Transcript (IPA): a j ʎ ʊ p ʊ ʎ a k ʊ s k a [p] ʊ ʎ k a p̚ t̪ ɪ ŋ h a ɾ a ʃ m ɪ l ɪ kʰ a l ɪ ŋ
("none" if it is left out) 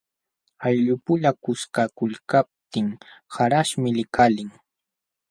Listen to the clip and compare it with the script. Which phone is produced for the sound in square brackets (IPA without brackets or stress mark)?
k